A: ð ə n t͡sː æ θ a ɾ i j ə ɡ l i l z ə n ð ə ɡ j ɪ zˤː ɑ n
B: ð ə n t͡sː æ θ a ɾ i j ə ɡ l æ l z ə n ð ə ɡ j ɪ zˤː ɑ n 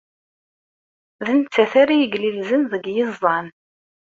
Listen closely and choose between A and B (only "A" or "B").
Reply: A